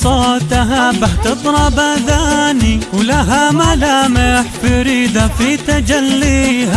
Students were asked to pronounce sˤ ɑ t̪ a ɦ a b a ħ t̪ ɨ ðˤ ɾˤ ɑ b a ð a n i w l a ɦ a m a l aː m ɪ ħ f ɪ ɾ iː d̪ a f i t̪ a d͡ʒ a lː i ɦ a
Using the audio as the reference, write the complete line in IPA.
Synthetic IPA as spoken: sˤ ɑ t̪ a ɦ a b a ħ t̪ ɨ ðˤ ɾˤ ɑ b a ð a n i w l a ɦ a m a l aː m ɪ ħ f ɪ ɾ iː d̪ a f i t̪ a d͡ʒ a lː i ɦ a